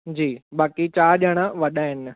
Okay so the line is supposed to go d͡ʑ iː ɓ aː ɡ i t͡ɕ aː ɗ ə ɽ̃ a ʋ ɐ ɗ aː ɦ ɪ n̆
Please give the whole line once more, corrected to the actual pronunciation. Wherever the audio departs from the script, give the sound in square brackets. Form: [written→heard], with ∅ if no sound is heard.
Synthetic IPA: d͡ʑ iː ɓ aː [ɡ→k] i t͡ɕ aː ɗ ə ɽ̃ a ʋ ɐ ɗ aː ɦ ɪ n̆

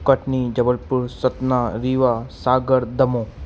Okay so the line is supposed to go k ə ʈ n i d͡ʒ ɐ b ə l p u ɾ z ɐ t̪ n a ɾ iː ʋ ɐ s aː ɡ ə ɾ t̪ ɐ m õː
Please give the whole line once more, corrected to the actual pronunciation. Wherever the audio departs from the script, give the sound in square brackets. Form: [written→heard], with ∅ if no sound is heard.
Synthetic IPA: k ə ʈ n i d͡ʒ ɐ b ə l p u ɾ [z→s] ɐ t̪ n a ɾ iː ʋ [ɐ→a] s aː ɡ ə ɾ [t̪→d̪] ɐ m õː

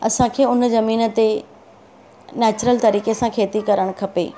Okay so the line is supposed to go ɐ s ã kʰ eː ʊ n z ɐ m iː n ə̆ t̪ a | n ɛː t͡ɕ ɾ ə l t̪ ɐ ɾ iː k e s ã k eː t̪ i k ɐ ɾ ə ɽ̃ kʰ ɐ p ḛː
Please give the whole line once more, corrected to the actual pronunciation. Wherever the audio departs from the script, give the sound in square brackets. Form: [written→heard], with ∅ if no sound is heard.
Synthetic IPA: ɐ s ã kʰ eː ʊ n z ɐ m iː n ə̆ t̪ [a→e] | n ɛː t͡ɕ ɾ ə l t̪ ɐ ɾ iː k e s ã [k→kʰ] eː t̪ i k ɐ ɾ ə ɽ̃ kʰ ɐ p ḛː

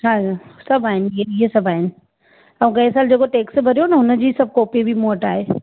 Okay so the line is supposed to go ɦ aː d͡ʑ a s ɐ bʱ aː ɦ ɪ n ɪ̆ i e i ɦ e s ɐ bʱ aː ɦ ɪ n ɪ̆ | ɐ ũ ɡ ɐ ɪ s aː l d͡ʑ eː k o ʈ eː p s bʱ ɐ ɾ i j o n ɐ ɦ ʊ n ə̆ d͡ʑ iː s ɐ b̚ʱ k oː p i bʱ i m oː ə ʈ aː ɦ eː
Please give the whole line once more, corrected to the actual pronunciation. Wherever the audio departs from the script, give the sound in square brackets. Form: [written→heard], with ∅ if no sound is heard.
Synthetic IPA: ɦ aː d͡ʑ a s ɐ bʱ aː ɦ ɪ n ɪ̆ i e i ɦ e s ɐ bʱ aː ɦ ɪ n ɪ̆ | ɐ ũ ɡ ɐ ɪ s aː l d͡ʑ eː k o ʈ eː [p→k] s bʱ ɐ ɾ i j o n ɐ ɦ ʊ n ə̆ d͡ʑ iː s ɐ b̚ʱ k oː p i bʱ i m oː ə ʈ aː ɦ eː

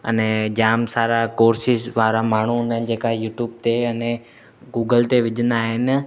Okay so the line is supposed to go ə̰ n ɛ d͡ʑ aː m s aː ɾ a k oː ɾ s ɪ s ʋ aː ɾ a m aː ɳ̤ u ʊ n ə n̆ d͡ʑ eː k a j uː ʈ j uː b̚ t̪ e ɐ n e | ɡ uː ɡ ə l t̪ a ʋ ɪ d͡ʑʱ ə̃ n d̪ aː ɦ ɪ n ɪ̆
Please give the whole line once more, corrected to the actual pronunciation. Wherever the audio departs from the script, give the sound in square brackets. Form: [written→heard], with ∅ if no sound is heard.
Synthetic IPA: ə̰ n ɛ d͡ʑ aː m s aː ɾ a k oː ɾ s ɪ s ʋ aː ɾ a m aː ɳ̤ u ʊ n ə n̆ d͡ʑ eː k a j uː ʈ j uː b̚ t̪ e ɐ n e | ɡ uː ɡ ə l t̪ [a→e] ʋ ɪ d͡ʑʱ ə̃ n d̪ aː ɦ ɪ n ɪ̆

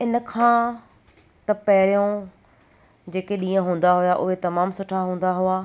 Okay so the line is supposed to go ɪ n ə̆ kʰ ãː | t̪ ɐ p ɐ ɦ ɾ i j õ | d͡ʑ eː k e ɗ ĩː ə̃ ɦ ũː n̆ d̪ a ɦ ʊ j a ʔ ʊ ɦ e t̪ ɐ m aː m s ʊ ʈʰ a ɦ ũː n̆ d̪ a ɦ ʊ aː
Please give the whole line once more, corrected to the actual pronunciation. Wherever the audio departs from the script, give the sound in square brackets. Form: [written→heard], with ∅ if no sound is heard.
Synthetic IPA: ɪ n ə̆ kʰ ãː | t̪ ɐ p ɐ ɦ ɾ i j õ | d͡ʑ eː k e ɗ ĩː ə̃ ɦ ũː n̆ d̪ a ɦ ʊ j a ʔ ʊ ɦ e t̪ ɐ m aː m s ʊ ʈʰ a ɦ ũː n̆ d̪ a ɦ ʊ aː

